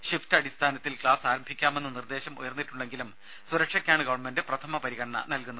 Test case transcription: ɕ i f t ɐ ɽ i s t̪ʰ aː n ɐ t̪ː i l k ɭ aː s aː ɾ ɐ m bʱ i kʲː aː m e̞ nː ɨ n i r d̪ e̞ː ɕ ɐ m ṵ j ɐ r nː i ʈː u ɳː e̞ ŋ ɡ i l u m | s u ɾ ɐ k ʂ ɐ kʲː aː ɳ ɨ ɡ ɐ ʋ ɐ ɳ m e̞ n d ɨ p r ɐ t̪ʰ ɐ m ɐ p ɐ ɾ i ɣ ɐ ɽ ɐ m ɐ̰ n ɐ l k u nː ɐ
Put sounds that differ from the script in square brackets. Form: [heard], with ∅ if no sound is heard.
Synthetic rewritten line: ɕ i f t ɐ ɽ i s t̪ʰ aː n ɐ t̪ː i l k ɭ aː s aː ɾ ɐ m bʱ i kʲː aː m e̞ nː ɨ n i r d̪ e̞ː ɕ ɐ m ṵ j ɐ r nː i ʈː u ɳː e̞ ŋ ɡ i l u m | s u ɾ ɐ k ʂ ɐ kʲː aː ɳ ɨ ɡ ɐ ʋ ɐ ɳ m e̞ n d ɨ p r ɐ t̪ʰ ɐ m ɐ p ɐ ɾ i ɣ ɐ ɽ ɐ [ɳ] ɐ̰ n ɐ l k u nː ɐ

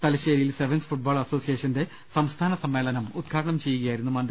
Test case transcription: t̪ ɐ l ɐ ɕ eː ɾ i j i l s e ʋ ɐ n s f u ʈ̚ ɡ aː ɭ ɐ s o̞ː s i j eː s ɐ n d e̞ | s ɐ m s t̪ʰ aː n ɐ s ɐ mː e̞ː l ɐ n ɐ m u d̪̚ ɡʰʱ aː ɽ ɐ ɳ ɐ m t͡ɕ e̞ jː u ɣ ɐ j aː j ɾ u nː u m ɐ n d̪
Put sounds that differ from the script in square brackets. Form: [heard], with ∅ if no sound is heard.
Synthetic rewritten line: t̪ ɐ l ɐ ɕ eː ɾ i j i l s e ʋ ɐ n s f u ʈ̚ [b] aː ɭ ɐ s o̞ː s i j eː [ʂ] ɐ n d e̞ | s ɐ m s t̪ʰ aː n ɐ s ɐ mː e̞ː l ɐ n ɐ m u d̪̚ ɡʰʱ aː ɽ ɐ ɳ ɐ m t͡ɕ e̞ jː u ɣ ɐ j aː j ɾ u nː u m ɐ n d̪

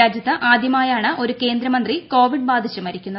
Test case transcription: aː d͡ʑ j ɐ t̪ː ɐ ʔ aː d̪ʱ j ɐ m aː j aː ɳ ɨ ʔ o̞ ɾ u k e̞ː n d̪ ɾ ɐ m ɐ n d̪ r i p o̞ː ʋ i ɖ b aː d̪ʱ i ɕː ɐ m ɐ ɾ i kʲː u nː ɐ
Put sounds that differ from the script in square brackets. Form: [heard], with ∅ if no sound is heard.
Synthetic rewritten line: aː d͡ʑ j ɐ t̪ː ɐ ʔ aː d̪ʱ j ɐ m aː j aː ɳ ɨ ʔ o̞ ɾ u k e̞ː n d̪ ɾ ɐ m ɐ n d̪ r i [k] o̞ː ʋ i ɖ b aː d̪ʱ i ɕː ɐ m ɐ ɾ i kʲː u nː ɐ

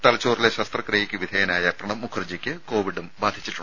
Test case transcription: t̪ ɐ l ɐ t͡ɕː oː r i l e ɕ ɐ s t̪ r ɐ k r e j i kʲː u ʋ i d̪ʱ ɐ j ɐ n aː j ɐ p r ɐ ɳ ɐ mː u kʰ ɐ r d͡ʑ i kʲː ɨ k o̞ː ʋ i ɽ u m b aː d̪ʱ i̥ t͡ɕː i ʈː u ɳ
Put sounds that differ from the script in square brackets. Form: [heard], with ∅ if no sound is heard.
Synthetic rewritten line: t̪ ɐ l ɐ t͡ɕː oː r i l e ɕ ɐ s t̪ r ɐ k r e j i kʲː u ʋ i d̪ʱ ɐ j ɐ n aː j ɐ p r ɐ ɳ ɐ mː u kʰ ɐ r d͡ʑ i kʲː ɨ k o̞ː ʋ i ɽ u m b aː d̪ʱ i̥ t͡ɕː i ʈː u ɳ

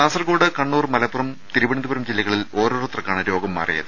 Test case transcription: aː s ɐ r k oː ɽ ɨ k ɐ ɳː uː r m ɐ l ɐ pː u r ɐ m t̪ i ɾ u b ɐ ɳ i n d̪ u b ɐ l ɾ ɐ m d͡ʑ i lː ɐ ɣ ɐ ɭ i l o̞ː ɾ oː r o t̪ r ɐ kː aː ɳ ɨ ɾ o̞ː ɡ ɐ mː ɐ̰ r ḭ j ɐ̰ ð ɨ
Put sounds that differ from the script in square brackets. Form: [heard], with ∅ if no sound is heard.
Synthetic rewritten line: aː s ɐ r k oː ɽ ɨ k ɐ ɳː uː r m ɐ l ɐ pː u r ɐ m t̪ i ɾ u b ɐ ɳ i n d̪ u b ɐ [∅] ɾ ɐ m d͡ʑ i lː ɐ ɣ ɐ ɭ i l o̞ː ɾ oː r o t̪ r ɐ kː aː ɳ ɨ ɾ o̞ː ɡ ɐ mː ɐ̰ r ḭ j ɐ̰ ð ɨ

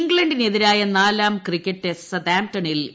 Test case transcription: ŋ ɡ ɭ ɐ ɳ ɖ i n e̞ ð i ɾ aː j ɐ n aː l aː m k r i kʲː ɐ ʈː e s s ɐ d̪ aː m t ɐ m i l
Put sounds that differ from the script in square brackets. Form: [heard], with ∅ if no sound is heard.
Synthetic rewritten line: ŋ ɡ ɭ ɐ ɳ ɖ i n e̞ ð i ɾ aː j ɐ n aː l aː m k r i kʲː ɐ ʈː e s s ɐ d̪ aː m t ɐ [ɳ] i l

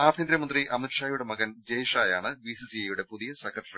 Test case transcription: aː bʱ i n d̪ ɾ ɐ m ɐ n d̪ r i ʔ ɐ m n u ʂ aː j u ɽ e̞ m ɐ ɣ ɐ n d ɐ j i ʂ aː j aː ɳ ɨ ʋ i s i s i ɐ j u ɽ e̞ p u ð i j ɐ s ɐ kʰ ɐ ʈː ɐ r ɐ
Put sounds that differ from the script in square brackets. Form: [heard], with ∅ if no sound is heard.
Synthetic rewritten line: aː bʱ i n d̪ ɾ ɐ m ɐ n d̪ r i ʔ ɐ m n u ʂ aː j u ɽ e̞ m ɐ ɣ ɐ n [d͡ʑ] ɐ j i ʂ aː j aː ɳ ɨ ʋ i s i s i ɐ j u ɽ e̞ p u ð i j ɐ s ɐ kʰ ɐ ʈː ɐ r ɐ

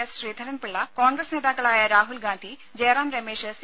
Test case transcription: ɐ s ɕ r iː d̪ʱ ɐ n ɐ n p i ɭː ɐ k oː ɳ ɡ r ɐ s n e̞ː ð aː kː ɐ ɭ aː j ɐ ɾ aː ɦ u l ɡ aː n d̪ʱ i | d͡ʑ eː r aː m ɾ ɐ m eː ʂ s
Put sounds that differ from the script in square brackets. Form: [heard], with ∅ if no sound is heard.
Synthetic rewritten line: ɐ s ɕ r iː d̪ʱ ɐ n ɐ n p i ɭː ɐ k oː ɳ ɡ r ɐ s n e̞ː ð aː kː ɐ ɭ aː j ɐ ɾ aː ɦ u l ɡ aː n d̪ʱ i | d͡ʑ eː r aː m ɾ ɐ m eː ʂ s

